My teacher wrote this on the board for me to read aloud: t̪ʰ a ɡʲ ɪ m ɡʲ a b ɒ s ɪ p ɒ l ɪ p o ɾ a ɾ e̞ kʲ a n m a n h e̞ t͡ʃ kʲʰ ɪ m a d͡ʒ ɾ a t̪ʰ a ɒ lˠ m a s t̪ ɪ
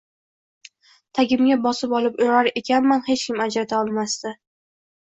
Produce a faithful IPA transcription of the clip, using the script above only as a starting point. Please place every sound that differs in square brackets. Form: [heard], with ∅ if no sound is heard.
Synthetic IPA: t̪ʰ a ɡʲ ɪ m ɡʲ a b ɒ s ɪ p ɒ l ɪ p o ɾ a ɾ e̞ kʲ a n m a n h e̞ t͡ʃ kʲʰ ɪ m a d͡ʒ ɾ a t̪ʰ a ɒ lˠ m a s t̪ ɪ